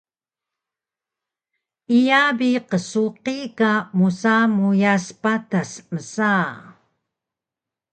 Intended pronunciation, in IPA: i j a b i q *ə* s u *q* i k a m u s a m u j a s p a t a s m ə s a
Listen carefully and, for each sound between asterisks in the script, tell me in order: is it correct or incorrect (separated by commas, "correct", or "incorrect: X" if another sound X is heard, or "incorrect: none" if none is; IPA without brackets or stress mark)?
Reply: correct, correct